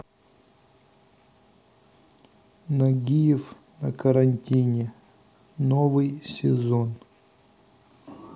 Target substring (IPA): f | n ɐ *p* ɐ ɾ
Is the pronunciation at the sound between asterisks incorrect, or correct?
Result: incorrect: k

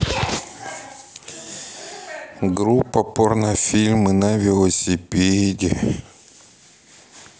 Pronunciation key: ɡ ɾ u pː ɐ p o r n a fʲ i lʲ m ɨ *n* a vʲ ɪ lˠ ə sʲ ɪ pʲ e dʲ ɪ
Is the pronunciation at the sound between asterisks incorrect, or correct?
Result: correct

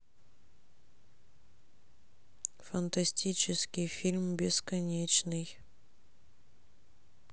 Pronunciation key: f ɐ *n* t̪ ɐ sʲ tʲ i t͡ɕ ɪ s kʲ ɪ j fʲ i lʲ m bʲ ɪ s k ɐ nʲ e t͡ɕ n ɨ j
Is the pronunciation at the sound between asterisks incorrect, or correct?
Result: correct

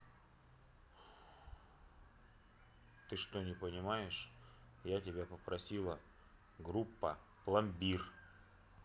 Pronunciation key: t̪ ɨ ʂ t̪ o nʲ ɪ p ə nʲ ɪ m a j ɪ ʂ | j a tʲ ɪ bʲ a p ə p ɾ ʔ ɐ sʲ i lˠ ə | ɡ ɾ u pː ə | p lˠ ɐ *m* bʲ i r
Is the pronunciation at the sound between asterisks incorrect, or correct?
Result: correct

